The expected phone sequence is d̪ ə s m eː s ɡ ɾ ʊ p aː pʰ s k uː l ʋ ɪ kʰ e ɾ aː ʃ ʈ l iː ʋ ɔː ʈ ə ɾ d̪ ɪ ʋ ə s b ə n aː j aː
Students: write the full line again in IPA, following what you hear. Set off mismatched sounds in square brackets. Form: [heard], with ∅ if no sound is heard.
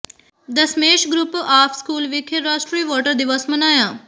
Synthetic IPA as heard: d̪ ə s m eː [ʃ] ɡ ɾ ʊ p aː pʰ s k uː l ʋ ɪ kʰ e ɾ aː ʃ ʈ [ɾ] iː ʋ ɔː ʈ ə ɾ d̪ ɪ ʋ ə s [m] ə n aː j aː